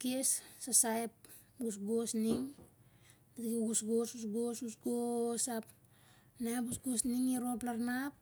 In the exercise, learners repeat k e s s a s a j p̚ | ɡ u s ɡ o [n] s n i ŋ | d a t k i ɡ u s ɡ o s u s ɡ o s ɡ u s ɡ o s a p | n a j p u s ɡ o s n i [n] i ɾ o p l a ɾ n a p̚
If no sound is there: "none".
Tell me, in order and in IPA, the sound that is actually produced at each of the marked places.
none, ŋ

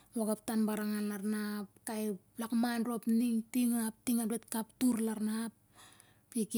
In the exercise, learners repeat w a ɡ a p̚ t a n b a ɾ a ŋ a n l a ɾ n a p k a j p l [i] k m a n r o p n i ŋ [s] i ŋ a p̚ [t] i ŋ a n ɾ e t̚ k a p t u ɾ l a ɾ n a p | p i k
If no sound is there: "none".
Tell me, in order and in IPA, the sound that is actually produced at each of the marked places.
a, t, t

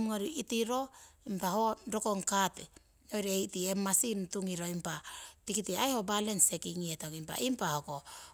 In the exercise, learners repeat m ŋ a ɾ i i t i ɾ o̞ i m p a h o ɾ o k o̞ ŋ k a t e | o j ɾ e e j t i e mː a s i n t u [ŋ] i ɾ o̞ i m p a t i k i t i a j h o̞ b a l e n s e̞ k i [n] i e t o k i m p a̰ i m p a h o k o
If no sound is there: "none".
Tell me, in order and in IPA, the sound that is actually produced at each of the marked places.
ŋ, ŋ

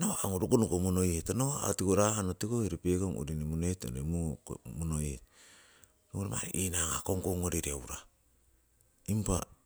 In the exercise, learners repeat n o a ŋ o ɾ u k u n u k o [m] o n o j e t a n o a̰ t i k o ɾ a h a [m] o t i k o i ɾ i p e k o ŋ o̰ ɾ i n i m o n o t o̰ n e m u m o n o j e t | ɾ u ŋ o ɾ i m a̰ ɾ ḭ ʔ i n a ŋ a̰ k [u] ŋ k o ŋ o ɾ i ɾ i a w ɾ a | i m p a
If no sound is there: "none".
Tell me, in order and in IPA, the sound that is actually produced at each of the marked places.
m, n, o

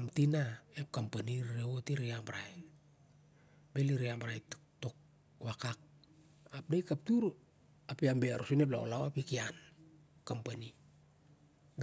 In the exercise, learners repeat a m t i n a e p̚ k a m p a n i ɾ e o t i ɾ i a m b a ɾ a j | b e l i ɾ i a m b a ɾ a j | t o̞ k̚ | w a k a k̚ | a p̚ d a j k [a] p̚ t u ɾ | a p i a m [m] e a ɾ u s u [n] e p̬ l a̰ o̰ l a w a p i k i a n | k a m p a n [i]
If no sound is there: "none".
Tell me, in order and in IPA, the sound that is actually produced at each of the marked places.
a, b, n, i

